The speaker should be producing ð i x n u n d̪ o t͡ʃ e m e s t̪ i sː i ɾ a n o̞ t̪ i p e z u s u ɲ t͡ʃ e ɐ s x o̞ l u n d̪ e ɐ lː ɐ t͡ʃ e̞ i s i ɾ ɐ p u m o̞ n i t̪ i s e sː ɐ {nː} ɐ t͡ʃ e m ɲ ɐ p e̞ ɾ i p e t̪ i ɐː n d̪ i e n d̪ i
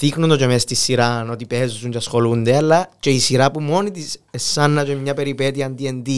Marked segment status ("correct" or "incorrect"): correct